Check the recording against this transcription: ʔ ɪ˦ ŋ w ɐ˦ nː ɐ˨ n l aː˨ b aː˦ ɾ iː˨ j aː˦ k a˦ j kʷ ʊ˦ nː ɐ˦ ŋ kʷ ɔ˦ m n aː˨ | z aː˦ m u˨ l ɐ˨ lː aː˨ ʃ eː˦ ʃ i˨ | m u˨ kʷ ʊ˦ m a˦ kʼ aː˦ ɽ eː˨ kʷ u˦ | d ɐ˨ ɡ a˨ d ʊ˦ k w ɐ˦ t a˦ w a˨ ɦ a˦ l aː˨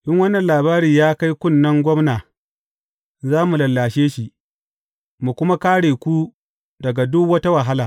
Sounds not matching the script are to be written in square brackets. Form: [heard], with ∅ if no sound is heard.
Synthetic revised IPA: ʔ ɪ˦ ŋ w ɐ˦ nː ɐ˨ n l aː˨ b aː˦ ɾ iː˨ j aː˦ k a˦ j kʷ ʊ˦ nː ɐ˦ ŋ [ɡʷ] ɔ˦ m n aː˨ | z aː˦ m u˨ l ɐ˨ lː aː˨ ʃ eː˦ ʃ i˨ | m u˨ kʷ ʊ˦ m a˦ [k] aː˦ ɽ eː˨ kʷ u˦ | d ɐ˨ ɡ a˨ d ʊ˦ k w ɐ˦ t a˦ w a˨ ɦ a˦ l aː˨

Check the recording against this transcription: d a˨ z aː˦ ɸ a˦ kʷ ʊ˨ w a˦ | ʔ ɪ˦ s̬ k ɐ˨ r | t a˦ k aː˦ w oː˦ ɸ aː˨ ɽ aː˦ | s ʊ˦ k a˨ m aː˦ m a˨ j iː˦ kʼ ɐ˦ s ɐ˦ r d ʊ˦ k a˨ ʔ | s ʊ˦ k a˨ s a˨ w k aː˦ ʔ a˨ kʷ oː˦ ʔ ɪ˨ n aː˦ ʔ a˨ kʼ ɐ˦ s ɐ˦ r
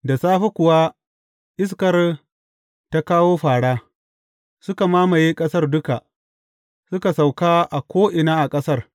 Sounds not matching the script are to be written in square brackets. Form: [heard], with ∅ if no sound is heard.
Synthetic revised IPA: d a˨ [s] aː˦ ɸ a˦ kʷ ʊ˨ w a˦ | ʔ ɪ˦ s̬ k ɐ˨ r | t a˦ k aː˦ w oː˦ ɸ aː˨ ɽ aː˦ | s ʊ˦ k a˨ m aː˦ m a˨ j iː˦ kʼ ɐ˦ s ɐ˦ r d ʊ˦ k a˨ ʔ | s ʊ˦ k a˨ s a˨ w k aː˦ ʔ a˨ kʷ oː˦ ʔ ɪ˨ n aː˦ ʔ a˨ kʼ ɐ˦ s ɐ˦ r

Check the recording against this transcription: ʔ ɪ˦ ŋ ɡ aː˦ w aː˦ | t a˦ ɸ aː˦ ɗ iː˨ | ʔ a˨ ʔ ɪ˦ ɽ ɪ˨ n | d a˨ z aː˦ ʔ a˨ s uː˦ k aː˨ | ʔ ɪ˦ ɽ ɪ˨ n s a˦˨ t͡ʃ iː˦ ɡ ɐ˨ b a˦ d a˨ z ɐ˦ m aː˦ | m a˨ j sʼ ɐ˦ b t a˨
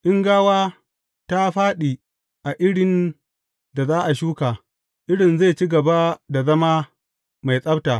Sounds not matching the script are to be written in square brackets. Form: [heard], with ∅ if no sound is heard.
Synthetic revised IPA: ʔ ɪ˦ ŋ ɡ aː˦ w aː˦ | t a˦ ɸ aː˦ ɗ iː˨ | ʔ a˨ ʔ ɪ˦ ɽ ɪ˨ n | d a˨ z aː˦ ʔ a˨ [ʃ] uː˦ k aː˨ | ʔ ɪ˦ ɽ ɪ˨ n [z] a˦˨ t͡ʃ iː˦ ɡ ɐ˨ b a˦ d a˨ z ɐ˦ m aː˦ | m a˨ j sʼ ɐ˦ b t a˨

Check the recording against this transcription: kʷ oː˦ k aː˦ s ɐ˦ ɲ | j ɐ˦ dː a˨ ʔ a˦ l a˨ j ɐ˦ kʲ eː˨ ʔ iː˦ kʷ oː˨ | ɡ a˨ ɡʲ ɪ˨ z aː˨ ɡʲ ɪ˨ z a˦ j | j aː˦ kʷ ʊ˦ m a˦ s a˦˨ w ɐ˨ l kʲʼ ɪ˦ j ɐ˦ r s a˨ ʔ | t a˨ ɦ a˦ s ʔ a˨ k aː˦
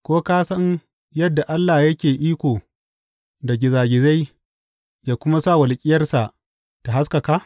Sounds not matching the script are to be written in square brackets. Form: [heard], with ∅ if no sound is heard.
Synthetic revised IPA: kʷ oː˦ k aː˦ s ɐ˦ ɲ | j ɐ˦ dː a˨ ʔ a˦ [lː] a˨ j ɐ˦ kʲ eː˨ ʔ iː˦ kʷ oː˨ | [d] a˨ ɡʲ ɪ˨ z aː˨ ɡʲ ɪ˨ z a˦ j | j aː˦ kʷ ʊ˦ m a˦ s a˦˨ w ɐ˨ l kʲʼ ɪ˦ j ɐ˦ r s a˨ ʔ | t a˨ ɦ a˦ s [k] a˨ k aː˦

